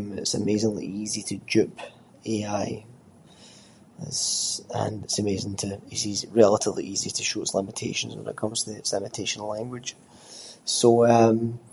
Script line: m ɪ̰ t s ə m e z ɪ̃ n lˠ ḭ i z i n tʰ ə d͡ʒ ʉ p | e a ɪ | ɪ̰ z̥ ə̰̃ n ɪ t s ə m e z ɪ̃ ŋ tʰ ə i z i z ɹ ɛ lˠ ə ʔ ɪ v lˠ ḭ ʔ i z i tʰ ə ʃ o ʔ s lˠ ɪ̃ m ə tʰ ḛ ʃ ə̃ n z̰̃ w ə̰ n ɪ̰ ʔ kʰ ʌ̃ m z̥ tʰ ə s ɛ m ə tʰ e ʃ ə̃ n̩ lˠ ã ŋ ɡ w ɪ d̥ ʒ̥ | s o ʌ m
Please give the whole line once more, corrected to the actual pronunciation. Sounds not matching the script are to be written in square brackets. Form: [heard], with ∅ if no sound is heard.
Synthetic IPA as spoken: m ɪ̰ t s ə m e z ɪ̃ [ŋ] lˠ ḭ i z i [∅] tʰ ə d͡ʒ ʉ p | e a ɪ | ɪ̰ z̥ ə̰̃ n ɪ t s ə m e z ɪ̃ ŋ tʰ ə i z i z ɹ ɛ lˠ ə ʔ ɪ v lˠ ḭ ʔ i z i tʰ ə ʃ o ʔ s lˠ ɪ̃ m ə tʰ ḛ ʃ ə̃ n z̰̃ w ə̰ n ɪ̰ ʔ kʰ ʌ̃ m z̥ tʰ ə s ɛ m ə tʰ e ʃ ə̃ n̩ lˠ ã ŋ ɡ w ɪ d̥ ʒ̥ | s o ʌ m